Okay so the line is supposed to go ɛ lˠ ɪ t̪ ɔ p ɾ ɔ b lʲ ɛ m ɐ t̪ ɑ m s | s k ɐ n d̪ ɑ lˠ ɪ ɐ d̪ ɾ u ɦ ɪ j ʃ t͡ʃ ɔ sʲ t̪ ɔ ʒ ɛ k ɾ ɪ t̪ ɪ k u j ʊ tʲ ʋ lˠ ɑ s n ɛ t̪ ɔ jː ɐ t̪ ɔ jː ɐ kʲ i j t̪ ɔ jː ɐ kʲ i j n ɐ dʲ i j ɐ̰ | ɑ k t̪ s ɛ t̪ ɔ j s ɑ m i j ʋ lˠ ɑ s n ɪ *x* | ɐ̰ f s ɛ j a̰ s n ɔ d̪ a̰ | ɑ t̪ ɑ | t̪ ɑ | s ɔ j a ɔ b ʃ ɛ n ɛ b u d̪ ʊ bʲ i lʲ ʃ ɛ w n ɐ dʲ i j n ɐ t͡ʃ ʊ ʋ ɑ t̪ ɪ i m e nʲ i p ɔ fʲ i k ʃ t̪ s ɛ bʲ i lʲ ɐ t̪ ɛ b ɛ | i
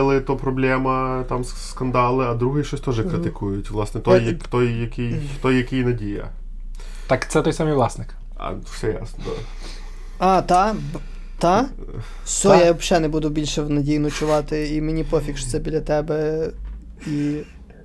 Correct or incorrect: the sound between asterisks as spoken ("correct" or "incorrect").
incorrect